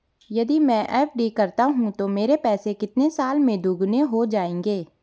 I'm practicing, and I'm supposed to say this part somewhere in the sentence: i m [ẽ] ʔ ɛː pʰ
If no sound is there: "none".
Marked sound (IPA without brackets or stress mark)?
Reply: ɛ̃